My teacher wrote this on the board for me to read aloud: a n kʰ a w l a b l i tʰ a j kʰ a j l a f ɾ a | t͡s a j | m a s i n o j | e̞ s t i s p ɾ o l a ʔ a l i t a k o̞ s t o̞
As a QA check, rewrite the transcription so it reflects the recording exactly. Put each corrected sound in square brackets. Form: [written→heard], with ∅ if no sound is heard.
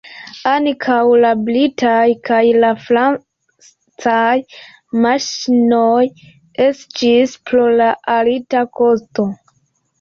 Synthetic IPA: a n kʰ a w l a b l i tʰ a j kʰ a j l a f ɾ a | t͡s a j | m a [s→ʃ] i n o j | e̞ s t i s p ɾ o l a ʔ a l i t a k o̞ s t o̞